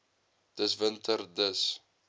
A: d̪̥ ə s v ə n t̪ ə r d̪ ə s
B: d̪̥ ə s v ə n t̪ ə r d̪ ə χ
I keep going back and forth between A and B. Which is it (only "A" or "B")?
A